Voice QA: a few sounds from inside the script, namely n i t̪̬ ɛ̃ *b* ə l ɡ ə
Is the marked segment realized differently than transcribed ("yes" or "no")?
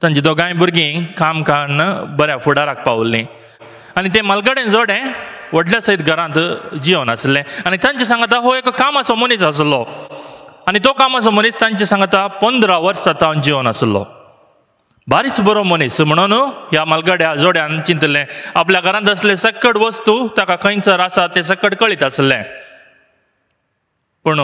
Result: yes